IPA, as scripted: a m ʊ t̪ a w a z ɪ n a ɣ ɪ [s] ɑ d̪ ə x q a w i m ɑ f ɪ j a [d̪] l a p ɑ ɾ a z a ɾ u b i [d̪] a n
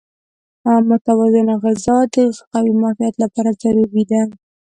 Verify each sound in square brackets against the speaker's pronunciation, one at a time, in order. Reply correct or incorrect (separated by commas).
incorrect, incorrect, correct